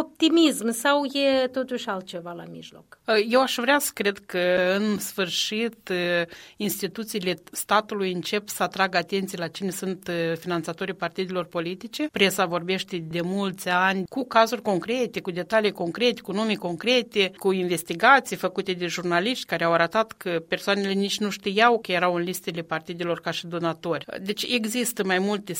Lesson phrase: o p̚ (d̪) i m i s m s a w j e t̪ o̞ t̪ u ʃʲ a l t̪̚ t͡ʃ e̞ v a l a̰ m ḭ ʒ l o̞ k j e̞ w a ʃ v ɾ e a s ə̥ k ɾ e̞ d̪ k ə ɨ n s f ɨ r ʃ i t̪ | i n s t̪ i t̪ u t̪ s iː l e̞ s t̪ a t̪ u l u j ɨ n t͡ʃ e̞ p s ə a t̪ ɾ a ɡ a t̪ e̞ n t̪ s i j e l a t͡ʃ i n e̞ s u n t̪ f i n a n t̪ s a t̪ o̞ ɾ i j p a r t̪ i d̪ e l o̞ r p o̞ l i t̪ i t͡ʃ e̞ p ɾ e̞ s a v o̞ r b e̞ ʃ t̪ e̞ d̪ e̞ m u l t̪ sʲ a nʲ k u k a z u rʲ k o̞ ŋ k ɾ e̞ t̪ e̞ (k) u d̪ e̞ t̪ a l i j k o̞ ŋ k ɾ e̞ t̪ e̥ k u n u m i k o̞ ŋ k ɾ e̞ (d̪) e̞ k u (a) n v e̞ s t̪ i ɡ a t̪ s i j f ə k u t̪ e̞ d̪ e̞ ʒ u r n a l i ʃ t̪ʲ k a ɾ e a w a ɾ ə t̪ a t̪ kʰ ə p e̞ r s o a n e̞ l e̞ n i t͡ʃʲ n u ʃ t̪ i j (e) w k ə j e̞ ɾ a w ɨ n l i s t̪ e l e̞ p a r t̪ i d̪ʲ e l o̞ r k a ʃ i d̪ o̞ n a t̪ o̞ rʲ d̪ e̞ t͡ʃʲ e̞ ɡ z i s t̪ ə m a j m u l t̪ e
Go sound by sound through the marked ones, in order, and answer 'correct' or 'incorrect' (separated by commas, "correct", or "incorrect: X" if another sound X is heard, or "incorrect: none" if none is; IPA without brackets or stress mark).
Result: incorrect: t̪, correct, incorrect: t̪, incorrect: i, incorrect: a